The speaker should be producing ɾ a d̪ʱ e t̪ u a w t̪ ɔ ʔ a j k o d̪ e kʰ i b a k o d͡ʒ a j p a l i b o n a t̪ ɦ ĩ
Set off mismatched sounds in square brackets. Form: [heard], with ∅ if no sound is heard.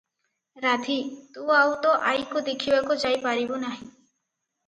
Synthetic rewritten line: ɾ a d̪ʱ [i] t̪ u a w t̪ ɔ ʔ a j k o d̪ e kʰ i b a k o d͡ʒ a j p a [ɾ] i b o n a [∅] ɦ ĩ